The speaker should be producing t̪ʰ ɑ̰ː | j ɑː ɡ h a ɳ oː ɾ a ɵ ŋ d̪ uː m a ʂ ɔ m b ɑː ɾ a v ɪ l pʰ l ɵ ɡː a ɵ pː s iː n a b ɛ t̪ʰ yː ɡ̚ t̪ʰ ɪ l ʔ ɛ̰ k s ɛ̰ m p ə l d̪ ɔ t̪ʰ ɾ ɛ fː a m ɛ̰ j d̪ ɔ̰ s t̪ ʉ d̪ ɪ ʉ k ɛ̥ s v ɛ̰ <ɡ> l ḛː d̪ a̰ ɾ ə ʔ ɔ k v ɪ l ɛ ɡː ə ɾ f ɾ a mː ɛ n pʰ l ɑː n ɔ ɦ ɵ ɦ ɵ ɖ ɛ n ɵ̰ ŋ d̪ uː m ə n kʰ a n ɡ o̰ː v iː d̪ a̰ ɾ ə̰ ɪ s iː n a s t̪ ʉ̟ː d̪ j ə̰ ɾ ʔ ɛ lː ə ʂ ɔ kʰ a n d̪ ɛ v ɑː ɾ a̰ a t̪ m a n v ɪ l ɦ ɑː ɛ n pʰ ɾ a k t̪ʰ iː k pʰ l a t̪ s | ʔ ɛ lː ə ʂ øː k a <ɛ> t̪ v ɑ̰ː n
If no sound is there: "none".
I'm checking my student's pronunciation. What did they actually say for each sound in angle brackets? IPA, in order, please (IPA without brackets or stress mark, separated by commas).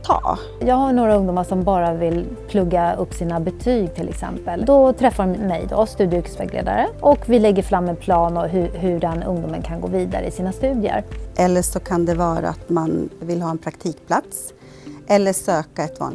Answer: ɡ, ɛ